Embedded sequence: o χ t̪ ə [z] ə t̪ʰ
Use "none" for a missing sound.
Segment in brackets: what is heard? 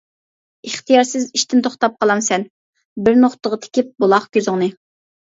ʁ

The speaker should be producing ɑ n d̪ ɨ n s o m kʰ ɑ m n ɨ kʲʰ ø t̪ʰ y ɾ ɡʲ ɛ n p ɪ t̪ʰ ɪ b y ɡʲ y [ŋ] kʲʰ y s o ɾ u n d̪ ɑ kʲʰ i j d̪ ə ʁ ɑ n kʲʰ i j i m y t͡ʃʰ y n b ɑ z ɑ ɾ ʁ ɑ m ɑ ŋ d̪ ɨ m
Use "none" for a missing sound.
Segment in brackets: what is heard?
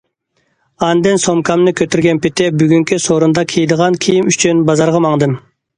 ŋ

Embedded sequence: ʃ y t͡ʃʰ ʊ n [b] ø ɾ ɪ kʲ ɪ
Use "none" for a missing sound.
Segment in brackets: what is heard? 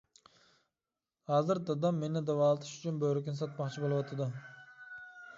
b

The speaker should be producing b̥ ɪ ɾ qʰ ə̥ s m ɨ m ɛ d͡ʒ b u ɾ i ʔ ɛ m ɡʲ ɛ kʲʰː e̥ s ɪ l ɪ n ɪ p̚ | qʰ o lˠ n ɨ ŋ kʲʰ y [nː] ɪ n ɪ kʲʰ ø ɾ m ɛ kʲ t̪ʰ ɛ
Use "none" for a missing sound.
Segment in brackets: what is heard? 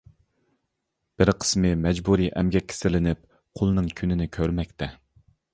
n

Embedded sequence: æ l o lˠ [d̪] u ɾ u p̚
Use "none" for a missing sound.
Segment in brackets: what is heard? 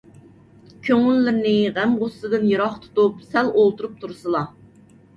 t̪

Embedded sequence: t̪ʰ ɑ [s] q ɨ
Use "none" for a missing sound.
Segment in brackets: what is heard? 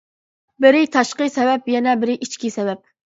ʃ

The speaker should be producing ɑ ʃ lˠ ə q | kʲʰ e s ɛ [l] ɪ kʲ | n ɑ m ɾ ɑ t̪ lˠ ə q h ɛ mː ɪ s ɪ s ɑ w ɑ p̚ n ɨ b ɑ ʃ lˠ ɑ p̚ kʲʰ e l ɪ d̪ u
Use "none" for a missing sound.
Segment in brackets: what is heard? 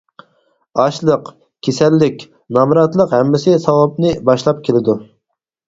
lː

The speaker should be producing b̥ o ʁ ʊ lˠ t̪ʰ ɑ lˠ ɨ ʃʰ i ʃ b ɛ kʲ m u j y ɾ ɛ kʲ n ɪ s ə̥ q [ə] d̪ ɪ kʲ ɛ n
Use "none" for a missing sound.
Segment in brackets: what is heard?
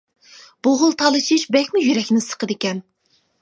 ə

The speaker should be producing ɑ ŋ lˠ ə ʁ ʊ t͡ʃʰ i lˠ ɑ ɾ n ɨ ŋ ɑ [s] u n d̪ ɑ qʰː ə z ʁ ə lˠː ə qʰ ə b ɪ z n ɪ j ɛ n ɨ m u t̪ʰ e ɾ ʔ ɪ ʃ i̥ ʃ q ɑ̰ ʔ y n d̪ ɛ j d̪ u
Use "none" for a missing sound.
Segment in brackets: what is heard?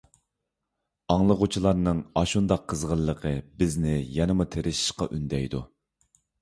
ʃ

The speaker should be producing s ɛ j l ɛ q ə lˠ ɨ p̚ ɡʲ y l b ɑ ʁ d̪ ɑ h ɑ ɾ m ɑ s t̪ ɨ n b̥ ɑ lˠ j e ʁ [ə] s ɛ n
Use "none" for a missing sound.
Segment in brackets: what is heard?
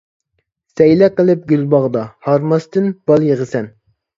ə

